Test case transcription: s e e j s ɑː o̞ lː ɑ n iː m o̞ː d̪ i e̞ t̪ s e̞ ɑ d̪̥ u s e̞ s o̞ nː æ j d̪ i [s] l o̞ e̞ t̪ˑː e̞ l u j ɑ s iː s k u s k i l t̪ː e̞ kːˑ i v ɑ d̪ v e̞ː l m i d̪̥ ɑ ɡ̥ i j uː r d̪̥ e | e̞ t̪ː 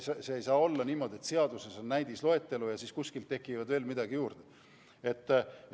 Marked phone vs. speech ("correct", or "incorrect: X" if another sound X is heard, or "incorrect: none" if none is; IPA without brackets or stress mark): correct